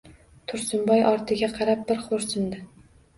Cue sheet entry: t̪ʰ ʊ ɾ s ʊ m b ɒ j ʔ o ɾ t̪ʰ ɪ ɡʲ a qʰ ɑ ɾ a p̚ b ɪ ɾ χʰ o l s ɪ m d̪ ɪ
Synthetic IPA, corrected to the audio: t̪ʰ ʊ ɾ s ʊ m b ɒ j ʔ ɒ ɾ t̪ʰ ɪ ɡʲ a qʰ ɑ ɾ a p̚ b ɪ ɾ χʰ o ɾ s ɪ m d̪ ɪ